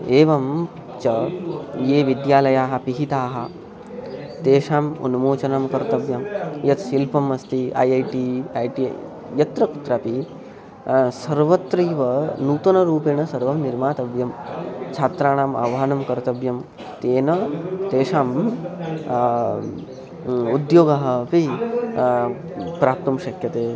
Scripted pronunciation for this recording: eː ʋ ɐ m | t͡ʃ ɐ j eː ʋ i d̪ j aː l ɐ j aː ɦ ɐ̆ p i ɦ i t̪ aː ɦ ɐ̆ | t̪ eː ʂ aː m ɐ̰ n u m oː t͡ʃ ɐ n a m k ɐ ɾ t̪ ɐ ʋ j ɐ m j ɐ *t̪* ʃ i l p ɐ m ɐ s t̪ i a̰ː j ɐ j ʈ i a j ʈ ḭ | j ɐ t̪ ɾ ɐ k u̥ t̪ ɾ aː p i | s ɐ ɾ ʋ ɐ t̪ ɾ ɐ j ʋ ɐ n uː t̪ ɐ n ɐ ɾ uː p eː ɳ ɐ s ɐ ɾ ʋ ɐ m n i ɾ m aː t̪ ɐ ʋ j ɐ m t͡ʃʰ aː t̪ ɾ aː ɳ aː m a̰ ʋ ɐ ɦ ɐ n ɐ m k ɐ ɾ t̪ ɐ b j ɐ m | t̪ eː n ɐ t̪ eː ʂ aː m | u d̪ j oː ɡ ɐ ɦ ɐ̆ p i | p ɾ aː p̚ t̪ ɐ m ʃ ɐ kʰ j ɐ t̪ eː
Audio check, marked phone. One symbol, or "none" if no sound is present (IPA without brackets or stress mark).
t̪